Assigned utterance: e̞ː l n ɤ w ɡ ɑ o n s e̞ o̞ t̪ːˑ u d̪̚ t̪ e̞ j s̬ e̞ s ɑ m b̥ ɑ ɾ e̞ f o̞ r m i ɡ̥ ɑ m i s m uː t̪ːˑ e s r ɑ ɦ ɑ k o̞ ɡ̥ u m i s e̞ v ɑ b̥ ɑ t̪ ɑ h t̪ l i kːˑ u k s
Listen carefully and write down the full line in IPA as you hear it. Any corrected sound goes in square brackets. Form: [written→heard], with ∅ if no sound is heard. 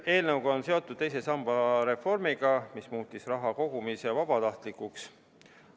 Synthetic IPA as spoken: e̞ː l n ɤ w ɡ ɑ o n s e̞ o̞ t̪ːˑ u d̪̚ t̪ e̞ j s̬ e̞ s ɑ m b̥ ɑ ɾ e̞ f o̞ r m i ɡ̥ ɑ m i s m uː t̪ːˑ [e→i] s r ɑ ɦ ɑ k o̞ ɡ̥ u m i s e̞ v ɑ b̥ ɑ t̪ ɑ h t̪ l i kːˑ u k s